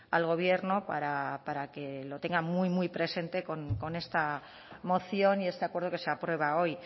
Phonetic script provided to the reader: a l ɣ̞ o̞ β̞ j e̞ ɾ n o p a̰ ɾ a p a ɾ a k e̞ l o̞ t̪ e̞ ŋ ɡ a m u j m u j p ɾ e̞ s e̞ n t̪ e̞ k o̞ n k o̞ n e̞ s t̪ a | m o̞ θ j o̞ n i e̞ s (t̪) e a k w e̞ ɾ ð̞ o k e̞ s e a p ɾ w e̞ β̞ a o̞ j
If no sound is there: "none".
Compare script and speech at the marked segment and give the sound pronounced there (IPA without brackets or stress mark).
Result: t̪